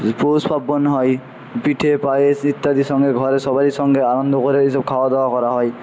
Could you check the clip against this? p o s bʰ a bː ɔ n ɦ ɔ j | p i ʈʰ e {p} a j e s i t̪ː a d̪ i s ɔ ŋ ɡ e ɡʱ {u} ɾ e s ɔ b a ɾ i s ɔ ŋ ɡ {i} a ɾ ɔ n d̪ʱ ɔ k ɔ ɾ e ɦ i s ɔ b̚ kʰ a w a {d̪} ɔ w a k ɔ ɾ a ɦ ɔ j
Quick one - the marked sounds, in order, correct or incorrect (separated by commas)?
correct, incorrect, incorrect, correct